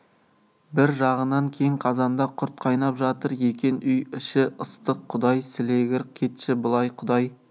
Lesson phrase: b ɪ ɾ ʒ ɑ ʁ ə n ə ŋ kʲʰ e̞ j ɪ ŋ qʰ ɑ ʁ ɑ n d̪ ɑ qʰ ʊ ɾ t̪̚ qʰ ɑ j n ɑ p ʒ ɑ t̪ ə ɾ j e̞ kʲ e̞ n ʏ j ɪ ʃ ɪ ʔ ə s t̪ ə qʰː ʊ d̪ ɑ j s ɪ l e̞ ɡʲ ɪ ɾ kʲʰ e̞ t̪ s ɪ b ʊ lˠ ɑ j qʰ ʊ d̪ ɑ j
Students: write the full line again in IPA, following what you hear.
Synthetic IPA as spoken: b ɪ ɾ ʒ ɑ ʁ ə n ɑ ŋ kʲʰ e̞ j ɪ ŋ qʰ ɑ z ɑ n d̪ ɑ qʰ ʊ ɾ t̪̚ qʰ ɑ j n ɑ p ʒ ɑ t̪ ə ɾ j e̞ kʲ e̞ n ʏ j ɪ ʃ ɪ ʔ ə s t̪ ə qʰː ʊ d̪ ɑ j s ɪ l e̞ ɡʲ ɪ ɾ kʲʰ e̞ t̪ ʃ ɪ b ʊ lˠ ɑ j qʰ ʊ d̪ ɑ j